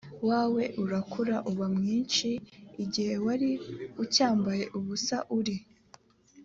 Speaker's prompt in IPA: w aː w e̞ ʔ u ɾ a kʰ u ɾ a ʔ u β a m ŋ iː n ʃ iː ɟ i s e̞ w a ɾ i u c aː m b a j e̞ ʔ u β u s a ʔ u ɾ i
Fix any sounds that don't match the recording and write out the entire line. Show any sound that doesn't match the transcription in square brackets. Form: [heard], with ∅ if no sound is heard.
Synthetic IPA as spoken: w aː w e̞ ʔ u ɾ a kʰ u ɾ a ʔ u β a m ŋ iː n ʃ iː ɟ i [h] e̞ w a ɾ i u c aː m b a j e̞ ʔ u β u s a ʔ u ɾ i